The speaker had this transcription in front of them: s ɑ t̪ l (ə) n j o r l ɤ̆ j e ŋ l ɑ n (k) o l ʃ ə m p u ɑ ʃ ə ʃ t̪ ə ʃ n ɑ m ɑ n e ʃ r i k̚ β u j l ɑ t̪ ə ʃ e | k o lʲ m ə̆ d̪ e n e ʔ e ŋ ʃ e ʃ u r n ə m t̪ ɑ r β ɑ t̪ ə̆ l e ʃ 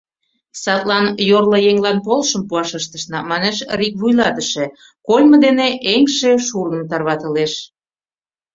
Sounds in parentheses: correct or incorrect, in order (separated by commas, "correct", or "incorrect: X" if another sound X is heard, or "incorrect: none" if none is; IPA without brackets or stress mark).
incorrect: ɑ, incorrect: p